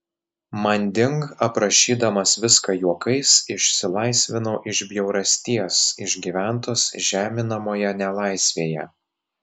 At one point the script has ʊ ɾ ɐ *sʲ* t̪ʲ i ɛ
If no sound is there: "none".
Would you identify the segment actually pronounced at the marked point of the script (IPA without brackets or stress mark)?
sʲ